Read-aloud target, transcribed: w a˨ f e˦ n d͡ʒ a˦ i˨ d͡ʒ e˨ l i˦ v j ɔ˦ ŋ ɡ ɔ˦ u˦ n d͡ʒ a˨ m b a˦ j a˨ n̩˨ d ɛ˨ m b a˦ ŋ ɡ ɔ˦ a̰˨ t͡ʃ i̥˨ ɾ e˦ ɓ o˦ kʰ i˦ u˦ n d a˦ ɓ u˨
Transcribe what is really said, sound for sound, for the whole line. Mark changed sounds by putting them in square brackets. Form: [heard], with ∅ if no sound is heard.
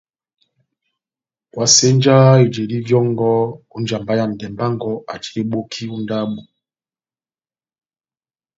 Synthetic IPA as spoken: w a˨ [s] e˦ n d͡ʒ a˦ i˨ d͡ʒ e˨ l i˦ v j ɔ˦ ŋ ɡ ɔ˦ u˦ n d͡ʒ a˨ m b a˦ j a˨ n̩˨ d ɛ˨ m b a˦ ŋ ɡ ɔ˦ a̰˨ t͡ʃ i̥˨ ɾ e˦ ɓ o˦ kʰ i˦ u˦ n d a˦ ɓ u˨